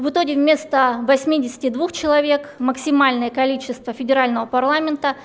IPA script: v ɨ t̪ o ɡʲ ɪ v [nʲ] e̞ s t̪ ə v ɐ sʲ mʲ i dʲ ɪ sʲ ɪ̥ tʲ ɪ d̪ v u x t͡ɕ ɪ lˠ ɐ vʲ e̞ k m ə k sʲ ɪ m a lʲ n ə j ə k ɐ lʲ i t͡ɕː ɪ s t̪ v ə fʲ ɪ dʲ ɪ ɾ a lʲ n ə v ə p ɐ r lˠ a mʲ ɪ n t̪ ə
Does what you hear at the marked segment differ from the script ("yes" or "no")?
yes